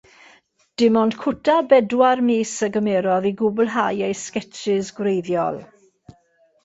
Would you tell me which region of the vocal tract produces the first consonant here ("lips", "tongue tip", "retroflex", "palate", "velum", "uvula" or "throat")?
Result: tongue tip